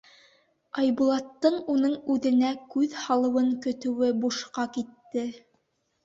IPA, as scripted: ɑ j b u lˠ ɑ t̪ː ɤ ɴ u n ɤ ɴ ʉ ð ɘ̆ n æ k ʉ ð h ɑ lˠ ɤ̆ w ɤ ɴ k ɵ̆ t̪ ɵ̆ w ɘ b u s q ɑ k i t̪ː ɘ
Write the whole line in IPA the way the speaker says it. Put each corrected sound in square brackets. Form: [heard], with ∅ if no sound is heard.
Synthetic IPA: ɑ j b u lˠ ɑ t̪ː ɤ ɴ u n ɤ ɴ ʉ ð ɘ̆ n æ k ʉ ð h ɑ lˠ ɤ̆ w ɤ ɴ k ɵ̆ t̪ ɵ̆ w ɘ b u [ʃ] q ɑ k i t̪ː ɘ